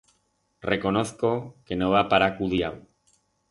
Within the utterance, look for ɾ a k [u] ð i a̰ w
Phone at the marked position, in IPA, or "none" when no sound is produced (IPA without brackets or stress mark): u